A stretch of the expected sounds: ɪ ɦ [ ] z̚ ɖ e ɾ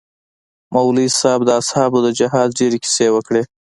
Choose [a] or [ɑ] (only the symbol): ɑ